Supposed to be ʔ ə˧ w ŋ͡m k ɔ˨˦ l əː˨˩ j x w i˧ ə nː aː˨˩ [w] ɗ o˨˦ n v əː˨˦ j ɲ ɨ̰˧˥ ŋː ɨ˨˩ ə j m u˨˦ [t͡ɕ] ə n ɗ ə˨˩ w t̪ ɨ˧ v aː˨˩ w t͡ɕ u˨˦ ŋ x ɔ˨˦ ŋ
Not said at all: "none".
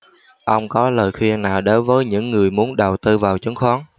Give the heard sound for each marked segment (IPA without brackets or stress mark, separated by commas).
w, none